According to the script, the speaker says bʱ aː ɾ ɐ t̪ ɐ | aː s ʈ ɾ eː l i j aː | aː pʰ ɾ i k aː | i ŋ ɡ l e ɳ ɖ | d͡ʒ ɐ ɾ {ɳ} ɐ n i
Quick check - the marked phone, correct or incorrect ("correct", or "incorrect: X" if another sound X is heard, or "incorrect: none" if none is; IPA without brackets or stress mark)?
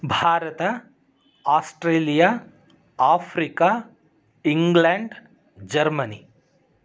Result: incorrect: m